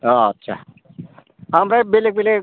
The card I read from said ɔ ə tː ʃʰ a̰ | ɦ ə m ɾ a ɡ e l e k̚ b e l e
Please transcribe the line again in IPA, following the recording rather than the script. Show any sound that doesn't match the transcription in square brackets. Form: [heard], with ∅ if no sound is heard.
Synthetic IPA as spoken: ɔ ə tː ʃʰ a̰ | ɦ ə m ɾ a [b] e l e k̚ b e l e